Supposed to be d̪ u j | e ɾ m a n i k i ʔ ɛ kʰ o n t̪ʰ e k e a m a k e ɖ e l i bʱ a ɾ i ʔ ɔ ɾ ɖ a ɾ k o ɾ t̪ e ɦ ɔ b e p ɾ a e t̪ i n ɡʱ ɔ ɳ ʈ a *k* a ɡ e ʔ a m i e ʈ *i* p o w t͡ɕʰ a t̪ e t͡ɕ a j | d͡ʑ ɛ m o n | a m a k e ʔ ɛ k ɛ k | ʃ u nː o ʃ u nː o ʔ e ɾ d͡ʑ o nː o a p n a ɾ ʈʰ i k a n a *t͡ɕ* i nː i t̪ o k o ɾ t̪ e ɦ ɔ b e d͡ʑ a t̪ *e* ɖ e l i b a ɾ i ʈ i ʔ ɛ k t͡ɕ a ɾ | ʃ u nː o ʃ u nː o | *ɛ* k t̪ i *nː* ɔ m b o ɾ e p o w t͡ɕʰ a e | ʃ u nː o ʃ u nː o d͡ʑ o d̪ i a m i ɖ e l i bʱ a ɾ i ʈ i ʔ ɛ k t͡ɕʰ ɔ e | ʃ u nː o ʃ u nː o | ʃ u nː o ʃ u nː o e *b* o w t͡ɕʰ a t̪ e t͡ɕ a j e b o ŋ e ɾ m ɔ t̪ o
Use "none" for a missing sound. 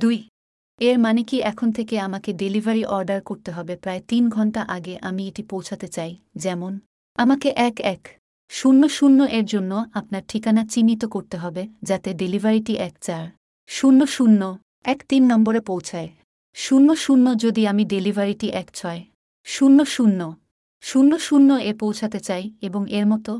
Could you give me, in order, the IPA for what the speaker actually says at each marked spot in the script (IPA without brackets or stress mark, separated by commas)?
ʔ, i, t͡ɕ, e, ɛ, nː, p